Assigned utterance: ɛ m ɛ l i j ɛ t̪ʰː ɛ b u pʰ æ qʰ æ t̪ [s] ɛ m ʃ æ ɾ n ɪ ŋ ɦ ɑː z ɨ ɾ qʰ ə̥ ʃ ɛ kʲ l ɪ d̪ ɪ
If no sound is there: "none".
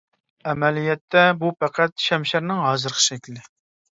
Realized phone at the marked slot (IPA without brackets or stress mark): ʃ